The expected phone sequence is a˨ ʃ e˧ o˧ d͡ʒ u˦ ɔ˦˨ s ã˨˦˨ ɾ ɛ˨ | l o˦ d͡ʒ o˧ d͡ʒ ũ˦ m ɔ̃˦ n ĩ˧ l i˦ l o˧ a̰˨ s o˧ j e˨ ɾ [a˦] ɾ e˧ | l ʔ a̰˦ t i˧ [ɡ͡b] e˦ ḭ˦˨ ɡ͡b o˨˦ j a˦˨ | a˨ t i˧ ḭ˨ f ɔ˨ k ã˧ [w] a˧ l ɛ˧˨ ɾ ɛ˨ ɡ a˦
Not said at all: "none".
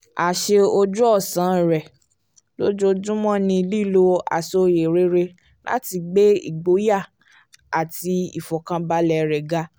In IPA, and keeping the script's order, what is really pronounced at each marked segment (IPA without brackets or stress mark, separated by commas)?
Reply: e˦, ɡ͡b, b